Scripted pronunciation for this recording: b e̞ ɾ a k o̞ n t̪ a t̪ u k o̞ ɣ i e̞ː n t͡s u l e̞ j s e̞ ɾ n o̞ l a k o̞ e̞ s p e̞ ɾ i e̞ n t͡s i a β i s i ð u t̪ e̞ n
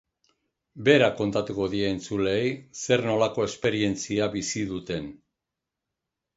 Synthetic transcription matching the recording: b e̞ ɾ a k o̞ n t̪ a t̪ u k o̞ ð i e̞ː n t͡s u l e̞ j s e̞ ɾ n o̞ l a k o̞ e̞ s p e̞ ɾ i e̞ n t͡s i a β i s i ð u t̪ e̞ n